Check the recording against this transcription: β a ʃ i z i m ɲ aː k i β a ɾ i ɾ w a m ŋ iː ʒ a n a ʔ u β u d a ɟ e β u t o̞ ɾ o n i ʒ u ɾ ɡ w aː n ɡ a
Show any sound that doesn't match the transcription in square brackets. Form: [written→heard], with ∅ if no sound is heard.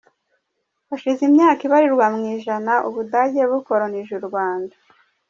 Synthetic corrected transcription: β a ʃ i z i m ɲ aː k i β a ɾ i ɾ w a m ŋ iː ʒ a n a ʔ u β u d a ɟ e β u [t→k] o̞ ɾ o n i ʒ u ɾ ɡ w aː n [ɡ→d] a